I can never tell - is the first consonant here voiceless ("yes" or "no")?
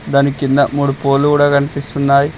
no